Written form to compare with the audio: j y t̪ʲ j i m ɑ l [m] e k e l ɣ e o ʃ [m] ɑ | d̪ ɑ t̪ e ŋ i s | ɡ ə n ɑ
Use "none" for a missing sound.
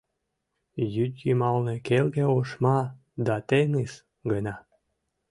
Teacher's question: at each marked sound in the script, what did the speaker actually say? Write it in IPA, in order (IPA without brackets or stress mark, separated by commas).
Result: n, m